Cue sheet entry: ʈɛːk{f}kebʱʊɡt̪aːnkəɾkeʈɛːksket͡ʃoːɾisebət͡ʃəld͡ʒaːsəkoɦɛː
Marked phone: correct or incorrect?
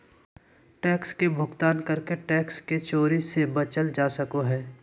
incorrect